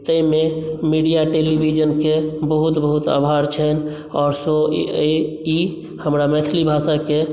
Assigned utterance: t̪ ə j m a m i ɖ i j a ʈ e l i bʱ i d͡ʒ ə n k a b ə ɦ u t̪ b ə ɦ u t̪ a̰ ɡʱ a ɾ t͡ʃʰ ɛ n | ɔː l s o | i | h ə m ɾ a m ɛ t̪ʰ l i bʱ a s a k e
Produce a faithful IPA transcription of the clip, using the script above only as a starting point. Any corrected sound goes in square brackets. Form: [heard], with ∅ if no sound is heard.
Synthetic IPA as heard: t̪ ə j m [e] m i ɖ i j a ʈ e l i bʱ i d͡ʒ ə n k [e] b ə ɦ u t̪ b ə ɦ u t̪ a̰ [bʱ] a ɾ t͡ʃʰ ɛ n | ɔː [ɾ] s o | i | h ə m ɾ a m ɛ t̪ʰ l i bʱ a s a k e